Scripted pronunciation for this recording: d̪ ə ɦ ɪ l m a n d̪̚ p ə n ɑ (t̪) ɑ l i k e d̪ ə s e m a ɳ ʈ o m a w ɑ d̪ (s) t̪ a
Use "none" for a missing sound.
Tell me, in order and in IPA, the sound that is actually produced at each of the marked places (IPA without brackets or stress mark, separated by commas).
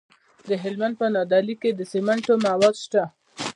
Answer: d̪, ʃ